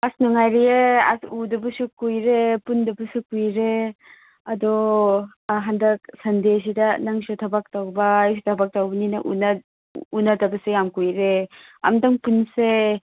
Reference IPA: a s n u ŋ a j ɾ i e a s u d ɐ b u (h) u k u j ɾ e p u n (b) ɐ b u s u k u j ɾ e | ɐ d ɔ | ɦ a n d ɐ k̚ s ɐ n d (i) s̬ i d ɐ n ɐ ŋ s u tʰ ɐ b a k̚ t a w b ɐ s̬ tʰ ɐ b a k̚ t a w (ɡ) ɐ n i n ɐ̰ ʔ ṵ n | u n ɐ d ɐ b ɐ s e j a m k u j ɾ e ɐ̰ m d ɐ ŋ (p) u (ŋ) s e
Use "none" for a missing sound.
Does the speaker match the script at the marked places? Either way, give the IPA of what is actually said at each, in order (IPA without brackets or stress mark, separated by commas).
s, d, e, b, p, n